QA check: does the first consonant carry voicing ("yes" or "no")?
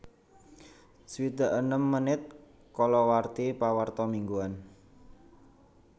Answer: no